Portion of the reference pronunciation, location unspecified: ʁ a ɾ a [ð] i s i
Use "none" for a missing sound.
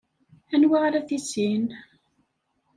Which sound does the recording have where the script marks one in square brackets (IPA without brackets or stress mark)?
θ